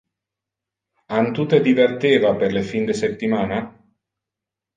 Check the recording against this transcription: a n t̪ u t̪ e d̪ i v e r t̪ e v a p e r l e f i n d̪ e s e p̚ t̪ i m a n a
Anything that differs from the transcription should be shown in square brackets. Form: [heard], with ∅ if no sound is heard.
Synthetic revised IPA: a n t̪ u t̪ e d̪ i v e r t̪ e v a p e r l e f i n d̪ e s e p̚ t̪ i m a n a